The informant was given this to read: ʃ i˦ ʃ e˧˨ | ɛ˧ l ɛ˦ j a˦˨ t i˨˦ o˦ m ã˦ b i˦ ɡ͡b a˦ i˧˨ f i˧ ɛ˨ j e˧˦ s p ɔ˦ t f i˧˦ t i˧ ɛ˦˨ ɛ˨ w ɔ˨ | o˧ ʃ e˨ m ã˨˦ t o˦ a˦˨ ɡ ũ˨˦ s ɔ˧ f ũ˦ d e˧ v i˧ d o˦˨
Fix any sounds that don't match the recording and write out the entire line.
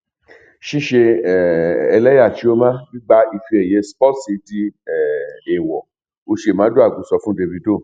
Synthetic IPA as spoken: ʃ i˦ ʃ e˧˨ | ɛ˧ l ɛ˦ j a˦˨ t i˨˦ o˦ m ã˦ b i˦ ɡ͡b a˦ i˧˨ f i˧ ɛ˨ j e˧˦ s p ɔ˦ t s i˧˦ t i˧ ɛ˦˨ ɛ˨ w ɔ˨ | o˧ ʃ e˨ m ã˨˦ d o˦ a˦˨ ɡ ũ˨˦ s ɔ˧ f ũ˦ d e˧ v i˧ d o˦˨